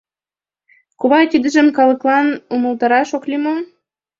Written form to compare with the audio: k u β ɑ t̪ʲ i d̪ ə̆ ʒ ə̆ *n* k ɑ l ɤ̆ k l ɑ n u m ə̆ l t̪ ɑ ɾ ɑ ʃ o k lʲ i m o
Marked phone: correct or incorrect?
incorrect: m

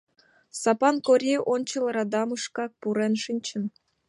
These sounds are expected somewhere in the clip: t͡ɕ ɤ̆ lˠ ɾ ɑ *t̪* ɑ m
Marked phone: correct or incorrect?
incorrect: d̪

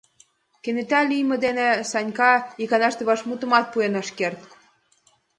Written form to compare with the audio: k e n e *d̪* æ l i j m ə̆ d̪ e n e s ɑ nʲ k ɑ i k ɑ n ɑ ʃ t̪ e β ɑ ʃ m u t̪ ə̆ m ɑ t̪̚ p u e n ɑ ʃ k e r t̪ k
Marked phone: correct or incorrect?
incorrect: t̪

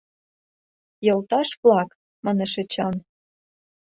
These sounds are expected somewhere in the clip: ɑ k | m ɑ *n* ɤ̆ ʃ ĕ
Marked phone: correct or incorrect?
correct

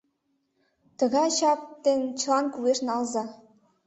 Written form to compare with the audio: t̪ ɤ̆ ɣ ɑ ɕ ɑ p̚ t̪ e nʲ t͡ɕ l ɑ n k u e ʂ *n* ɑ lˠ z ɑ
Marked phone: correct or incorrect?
correct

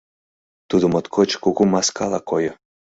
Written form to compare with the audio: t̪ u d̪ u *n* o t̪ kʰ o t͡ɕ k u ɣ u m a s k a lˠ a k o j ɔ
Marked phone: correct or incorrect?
incorrect: m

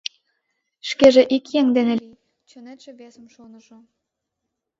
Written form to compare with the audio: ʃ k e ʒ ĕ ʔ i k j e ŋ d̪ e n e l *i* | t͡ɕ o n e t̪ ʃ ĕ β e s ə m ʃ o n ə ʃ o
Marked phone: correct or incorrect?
correct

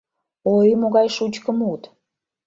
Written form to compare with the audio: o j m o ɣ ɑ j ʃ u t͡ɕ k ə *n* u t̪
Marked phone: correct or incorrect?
incorrect: m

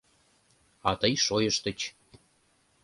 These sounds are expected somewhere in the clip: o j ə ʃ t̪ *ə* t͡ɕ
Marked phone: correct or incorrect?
correct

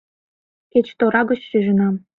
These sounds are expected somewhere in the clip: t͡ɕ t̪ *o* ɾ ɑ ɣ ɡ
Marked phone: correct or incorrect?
correct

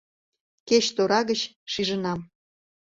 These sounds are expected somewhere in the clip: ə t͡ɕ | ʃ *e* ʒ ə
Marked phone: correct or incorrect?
incorrect: i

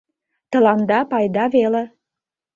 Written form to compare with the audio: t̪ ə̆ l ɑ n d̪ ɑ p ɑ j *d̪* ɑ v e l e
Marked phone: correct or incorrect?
correct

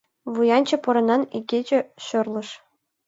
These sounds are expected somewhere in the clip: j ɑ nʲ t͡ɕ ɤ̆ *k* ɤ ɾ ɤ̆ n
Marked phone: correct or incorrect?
incorrect: p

